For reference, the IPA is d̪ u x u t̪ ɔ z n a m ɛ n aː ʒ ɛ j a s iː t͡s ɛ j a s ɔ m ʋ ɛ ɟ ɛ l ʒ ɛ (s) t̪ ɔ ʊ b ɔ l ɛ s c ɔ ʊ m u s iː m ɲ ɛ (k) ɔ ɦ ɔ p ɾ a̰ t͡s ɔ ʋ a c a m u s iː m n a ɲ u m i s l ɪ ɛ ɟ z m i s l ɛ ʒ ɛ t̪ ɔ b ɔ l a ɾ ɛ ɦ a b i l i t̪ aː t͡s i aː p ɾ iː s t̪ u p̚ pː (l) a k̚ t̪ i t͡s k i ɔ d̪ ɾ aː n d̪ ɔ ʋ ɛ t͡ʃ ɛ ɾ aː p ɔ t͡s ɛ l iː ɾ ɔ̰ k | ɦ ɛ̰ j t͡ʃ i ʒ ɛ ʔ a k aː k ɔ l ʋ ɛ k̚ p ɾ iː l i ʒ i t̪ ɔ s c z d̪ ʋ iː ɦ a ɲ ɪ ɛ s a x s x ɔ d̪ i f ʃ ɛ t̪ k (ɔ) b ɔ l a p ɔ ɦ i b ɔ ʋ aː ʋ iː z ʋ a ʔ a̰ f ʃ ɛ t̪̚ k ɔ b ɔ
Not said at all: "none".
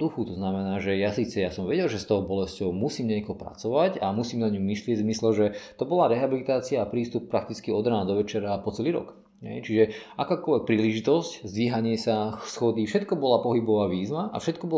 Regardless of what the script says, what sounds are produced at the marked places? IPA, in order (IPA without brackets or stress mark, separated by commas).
s, k, ɾ, ɔ